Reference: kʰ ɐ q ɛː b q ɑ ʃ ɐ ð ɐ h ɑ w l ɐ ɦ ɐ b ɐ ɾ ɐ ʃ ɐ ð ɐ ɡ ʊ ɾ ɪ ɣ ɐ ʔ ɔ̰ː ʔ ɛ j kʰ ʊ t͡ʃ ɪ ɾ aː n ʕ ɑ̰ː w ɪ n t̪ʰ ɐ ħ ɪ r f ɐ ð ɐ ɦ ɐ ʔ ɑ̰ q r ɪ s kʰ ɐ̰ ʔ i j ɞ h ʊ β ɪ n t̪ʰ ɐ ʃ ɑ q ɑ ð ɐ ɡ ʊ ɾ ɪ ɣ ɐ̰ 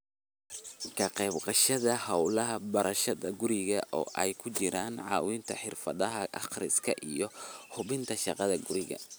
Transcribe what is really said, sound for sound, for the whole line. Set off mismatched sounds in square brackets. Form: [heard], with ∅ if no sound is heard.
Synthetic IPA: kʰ ɐ q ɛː b q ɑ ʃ ɐ ð ɐ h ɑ w l ɐ ɦ ɐ b ɐ ɾ ɐ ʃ ɐ ð ɐ ɡ ʊ ɾ ɪ ɣ ɐ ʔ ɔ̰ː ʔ ɛ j kʰ ʊ t͡ʃ ɪ ɾ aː n ʕ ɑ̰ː w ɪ n t̪ʰ ɐ ħ ɪ r f ɐ ð ɐ ɦ ɐ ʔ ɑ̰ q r ɪ s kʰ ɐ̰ ʔ i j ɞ h ʊ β ɪ n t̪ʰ ɐ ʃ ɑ q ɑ ð ɐ ɡ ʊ ɾ ɪ ɣ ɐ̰